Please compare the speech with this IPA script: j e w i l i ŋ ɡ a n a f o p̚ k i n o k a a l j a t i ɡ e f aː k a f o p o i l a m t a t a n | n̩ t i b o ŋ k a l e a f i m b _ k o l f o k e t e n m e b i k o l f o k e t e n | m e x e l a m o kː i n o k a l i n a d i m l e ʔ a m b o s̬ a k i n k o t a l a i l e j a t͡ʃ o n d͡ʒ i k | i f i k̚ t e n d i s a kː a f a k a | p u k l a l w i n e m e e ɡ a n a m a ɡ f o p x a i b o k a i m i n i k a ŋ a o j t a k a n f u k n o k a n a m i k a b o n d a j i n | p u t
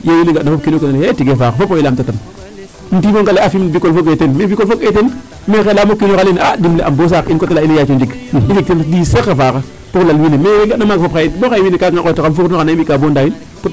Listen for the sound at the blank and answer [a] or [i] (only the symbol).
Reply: i